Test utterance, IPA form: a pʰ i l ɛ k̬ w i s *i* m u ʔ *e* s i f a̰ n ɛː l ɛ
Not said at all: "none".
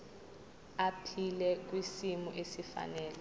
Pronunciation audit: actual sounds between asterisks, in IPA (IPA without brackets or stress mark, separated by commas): i, e